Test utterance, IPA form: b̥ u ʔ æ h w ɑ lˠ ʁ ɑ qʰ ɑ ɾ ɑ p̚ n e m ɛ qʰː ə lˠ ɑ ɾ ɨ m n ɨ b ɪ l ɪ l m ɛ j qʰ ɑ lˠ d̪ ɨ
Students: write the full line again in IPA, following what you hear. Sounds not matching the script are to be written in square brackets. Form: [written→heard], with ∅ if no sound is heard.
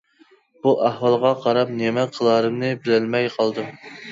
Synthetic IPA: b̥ u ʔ æ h w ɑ lˠ ʁ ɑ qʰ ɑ ɾ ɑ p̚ n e m ɛ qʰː ə lˠ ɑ ɾ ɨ m n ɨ b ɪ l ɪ l m ɛ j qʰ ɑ lˠ d̪ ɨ